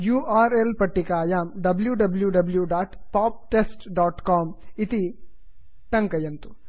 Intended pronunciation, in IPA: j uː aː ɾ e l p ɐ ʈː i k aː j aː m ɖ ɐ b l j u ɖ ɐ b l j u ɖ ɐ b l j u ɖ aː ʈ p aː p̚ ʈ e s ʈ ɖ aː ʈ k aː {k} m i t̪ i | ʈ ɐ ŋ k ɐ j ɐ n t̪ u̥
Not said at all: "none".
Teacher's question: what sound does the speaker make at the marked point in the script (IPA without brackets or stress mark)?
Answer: none